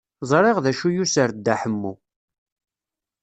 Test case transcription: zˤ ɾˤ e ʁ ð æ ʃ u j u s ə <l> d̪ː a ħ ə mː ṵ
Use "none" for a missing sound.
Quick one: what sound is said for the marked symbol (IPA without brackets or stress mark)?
ɾ